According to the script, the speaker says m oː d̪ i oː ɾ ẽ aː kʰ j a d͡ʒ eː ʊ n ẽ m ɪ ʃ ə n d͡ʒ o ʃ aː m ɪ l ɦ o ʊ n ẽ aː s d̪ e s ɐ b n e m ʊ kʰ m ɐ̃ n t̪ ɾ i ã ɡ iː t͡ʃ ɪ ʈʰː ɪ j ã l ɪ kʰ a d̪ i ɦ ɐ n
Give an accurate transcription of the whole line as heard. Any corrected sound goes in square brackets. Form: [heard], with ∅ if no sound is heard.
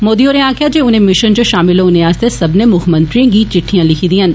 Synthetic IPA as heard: m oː d̪ i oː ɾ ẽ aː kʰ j a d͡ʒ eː ʊ n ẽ m ɪ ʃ ə n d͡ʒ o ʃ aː m ɪ l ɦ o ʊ n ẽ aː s [t̪] e s ɐ b n e m ʊ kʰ m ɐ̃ n t̪ ɾ i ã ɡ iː t͡ʃ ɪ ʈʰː [i] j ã l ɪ kʰ [i] d̪ i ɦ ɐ n

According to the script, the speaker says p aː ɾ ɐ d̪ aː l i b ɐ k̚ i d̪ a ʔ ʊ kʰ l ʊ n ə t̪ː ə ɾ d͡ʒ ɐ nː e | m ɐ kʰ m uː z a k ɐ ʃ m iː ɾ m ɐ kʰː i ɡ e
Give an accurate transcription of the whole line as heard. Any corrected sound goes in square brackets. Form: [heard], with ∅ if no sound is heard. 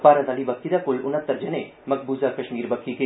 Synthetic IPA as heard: p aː ɾ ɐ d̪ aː l i b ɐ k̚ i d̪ a [k] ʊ [∅] l ʊ n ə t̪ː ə ɾ d͡ʒ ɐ [n] e | m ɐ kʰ [b] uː z a k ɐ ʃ m iː ɾ [b] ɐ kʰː i [k] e

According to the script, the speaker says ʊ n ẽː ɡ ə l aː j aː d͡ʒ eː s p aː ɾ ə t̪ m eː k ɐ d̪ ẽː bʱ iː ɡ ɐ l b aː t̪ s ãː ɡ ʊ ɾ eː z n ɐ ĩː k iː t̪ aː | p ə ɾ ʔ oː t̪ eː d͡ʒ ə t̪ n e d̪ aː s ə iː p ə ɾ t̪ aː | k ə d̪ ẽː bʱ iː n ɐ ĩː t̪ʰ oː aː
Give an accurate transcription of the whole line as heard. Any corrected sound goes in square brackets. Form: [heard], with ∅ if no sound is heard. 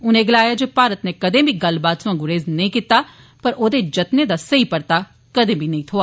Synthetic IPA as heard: ʊ n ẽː ɡ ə l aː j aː d͡ʒ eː [∅] p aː ɾ ə t̪ [n] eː k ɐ d̪ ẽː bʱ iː ɡ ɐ l b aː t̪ s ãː ɡ ʊ ɾ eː z n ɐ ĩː k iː t̪ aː | p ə ɾ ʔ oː [d̪] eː d͡ʒ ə t̪ n e d̪ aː s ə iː p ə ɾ t̪ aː | k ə d̪ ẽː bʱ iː n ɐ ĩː t̪ʰ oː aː

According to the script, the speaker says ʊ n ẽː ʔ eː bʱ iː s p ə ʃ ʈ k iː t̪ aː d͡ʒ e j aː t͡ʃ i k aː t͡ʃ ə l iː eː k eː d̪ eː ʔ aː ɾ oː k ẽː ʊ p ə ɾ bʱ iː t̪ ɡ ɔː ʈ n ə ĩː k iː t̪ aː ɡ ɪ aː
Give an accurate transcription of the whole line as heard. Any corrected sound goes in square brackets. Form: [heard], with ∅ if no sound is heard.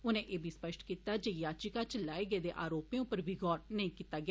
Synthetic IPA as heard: ʊ n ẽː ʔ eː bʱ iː s p ə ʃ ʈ k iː t̪ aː d͡ʒ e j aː t͡ʃ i k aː t͡ʃ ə l [aː] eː [ɡ] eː d̪ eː ʔ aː ɾ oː [p] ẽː ʊ p ə ɾ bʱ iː [∅] ɡ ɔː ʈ n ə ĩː k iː t̪ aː ɡ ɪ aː

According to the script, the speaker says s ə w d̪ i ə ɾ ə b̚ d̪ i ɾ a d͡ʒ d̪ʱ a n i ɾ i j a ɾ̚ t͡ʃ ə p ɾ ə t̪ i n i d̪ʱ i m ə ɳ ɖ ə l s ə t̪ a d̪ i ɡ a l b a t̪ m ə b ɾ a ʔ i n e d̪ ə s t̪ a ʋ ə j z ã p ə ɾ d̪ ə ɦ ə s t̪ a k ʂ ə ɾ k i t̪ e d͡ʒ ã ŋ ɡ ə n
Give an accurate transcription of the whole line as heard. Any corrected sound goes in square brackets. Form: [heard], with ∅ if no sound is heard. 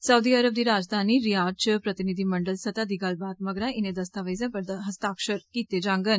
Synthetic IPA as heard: s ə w d̪ i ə ɾ ə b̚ d̪ i ɾ a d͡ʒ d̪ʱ a n i ɾ i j a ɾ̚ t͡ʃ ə p ɾ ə t̪ i n i d̪ʱ i m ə ɳ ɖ ə l s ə t̪ a d̪ i ɡ a l b a t̪ m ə [ɡ] ɾ a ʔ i n e d̪ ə s t̪ a ʋ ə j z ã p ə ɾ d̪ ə ɦ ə s t̪ a k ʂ ə ɾ k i t̪ e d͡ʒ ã ŋ ɡ ə n

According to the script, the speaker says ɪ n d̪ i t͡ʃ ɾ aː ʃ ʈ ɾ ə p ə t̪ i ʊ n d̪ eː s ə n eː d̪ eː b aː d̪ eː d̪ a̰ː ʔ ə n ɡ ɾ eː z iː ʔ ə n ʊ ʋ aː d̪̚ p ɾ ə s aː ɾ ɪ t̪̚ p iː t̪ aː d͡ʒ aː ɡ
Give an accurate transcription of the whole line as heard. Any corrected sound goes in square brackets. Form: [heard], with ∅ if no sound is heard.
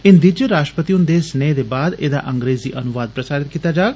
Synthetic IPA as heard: ɪ n d̪ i t͡ʃ ɾ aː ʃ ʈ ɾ ə p ə t̪ i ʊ n d̪ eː s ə n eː d̪ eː b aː d̪ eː d̪ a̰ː ʔ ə [ŋ] ɡ ɾ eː z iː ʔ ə n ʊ ʋ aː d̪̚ p ɾ ə s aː ɾ ɪ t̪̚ [k] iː t̪ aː d͡ʒ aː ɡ

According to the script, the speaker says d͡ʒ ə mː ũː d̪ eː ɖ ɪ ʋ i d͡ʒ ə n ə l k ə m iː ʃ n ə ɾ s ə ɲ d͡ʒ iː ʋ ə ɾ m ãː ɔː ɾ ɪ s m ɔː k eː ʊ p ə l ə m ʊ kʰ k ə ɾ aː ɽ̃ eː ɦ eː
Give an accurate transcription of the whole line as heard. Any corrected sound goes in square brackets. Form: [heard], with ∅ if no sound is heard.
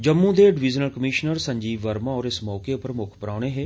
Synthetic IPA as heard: d͡ʒ ə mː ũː d̪ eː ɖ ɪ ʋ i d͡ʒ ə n ə l k ə m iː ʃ n ə ɾ s ə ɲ d͡ʒ iː ʋ ə ɾ m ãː ɔː ɾ ɪ s m ɔː k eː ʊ p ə [ɾ] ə m ʊ kʰ [p] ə ɾ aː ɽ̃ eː ɦ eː

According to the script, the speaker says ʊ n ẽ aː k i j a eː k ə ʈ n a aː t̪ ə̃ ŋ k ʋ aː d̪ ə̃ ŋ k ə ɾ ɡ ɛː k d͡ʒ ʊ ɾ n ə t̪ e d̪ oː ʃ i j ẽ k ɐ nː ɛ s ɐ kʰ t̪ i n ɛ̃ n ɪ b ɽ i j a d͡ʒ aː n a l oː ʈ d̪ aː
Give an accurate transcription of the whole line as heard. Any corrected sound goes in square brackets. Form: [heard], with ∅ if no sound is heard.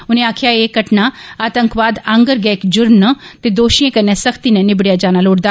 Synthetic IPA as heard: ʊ n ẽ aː [kʰ] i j a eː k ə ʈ n a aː t̪ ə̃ ŋ k ʋ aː d̪ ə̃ ŋ [ɡ] ə ɾ ɡ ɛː k d͡ʒ ʊ ɾ n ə t̪ e d̪ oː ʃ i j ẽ k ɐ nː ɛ s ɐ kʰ t̪ i n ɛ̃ n ɪ b ɽ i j a d͡ʒ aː n a l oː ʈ d̪ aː

